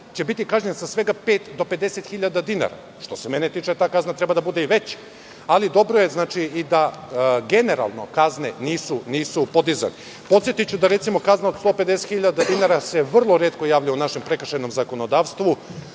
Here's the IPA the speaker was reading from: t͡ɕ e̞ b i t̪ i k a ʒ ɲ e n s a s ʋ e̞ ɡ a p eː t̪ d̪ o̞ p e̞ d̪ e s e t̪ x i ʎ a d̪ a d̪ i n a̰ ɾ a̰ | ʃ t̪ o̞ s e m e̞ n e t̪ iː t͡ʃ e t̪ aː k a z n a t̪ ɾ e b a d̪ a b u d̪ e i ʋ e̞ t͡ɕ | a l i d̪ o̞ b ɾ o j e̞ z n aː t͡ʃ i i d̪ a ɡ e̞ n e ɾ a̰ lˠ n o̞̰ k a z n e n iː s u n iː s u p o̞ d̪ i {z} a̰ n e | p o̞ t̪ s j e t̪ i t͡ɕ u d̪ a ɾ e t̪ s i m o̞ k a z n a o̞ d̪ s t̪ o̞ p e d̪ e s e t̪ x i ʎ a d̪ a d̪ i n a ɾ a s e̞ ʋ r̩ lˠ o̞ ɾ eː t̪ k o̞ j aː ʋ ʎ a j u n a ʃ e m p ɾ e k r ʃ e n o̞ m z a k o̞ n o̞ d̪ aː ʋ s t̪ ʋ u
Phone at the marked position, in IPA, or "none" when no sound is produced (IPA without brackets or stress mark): z